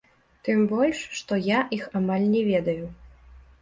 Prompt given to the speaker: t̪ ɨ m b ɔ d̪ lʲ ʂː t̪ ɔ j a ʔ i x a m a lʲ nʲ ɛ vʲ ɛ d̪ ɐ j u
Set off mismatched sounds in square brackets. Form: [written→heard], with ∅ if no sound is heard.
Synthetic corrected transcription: t̪ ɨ m b ɔ [d̪→∅] lʲ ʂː t̪ ɔ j a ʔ i x a m a lʲ nʲ ɛ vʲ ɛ d̪ ɐ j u